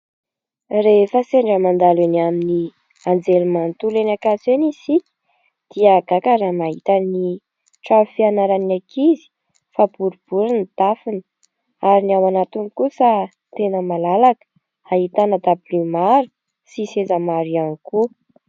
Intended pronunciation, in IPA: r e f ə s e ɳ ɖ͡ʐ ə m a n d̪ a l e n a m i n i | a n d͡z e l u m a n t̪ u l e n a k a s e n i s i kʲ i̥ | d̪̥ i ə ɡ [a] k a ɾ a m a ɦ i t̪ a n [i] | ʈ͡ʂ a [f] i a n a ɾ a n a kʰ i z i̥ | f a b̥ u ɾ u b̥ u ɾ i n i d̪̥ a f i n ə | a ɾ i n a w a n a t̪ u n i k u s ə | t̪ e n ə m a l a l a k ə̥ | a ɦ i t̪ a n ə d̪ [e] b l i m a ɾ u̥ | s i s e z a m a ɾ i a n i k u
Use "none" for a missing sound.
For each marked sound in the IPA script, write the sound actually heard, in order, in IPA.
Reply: a, i, f, a

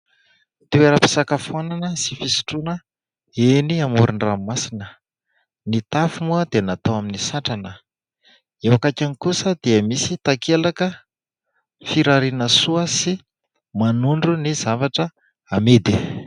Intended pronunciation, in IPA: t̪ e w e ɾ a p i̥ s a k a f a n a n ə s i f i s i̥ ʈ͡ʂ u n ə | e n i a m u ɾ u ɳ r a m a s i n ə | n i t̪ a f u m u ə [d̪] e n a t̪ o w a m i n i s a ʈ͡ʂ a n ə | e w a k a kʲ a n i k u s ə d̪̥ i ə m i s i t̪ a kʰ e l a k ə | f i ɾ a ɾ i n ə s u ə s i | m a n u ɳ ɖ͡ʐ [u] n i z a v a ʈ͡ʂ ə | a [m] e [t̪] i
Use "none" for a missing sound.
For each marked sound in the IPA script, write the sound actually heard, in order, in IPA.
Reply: d̪, u, m, d̪

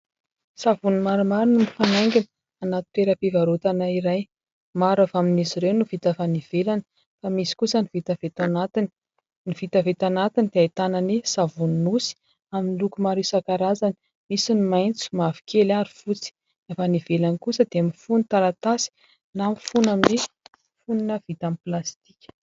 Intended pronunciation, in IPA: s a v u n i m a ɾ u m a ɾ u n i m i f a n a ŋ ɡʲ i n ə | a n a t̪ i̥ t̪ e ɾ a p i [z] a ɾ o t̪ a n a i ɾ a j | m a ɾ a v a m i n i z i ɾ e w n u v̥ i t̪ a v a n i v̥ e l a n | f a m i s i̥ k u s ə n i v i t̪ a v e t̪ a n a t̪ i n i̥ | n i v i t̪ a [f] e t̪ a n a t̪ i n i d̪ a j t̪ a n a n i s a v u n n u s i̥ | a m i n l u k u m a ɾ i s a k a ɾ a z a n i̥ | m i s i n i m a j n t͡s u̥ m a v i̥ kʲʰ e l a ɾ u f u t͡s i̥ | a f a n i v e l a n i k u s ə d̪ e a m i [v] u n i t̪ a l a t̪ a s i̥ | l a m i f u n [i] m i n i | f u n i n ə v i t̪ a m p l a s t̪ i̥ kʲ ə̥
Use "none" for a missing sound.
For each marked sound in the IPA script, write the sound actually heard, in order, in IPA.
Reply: v, v, f, a

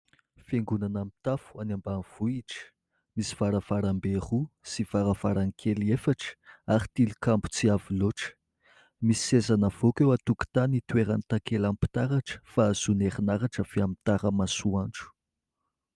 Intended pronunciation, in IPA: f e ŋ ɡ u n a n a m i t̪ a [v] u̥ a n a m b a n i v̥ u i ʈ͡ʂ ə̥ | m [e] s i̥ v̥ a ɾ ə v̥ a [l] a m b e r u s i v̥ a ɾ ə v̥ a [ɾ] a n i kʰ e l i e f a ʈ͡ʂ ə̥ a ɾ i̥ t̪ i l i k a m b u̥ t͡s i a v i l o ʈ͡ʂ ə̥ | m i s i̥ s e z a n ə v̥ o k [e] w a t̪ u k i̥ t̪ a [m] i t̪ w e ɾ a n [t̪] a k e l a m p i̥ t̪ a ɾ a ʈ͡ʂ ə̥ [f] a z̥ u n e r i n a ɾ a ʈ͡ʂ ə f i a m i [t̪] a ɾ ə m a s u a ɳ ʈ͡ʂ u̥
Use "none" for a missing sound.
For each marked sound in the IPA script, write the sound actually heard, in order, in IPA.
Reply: f, i, ɾ, ɾ, e, n, t̪, f, t̪

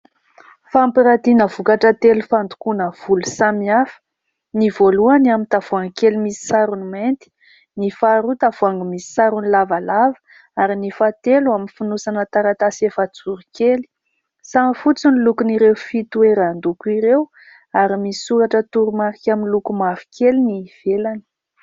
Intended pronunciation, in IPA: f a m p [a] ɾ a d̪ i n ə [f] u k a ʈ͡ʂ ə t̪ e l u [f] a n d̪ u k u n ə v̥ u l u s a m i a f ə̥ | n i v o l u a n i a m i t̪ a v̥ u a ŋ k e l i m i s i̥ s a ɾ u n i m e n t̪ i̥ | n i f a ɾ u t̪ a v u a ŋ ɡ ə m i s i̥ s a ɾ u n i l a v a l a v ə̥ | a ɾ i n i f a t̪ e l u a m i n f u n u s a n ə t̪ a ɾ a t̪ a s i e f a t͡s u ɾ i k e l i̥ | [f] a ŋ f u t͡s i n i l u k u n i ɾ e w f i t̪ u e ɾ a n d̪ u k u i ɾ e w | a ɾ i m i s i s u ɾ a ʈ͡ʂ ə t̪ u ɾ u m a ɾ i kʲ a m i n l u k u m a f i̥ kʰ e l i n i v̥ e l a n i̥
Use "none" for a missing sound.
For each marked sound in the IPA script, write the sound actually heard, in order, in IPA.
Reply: i, v, f, s

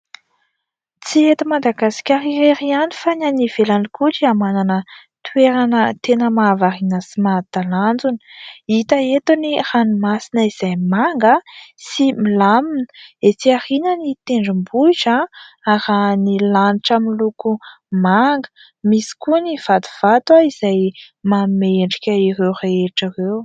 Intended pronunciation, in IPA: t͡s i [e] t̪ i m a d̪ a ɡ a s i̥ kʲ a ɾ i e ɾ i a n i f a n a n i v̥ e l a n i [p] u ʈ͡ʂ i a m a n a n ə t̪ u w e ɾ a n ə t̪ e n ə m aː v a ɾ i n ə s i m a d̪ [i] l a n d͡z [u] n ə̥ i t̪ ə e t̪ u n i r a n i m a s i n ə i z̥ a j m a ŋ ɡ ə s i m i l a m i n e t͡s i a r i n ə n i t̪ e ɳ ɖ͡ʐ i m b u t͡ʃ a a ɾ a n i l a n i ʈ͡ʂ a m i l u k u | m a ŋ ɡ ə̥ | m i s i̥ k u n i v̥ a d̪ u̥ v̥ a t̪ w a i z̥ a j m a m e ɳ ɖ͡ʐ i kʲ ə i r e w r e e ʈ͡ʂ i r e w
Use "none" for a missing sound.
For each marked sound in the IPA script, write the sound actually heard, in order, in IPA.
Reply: e, k, a, u

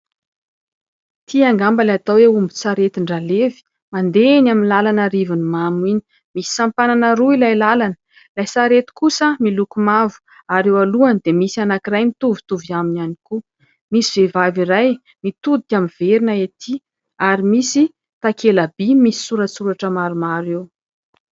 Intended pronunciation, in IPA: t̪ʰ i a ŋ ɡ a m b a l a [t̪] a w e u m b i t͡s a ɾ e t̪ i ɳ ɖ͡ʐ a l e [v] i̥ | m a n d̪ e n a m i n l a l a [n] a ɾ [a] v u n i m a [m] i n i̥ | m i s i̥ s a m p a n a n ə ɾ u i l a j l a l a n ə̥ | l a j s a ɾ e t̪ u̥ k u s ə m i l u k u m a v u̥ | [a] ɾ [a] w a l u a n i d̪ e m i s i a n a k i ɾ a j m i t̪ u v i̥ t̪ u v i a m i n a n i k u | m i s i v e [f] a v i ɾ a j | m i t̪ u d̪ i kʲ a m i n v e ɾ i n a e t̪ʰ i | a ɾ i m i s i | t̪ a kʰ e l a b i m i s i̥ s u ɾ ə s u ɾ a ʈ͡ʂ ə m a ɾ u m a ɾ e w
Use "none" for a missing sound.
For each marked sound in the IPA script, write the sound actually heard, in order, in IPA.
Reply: t̪, v, n, i, m, a, e, v

